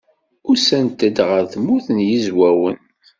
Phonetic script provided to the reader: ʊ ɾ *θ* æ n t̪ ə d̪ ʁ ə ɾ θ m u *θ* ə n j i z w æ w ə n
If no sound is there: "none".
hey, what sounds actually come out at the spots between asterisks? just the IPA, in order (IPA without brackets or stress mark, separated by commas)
s, θ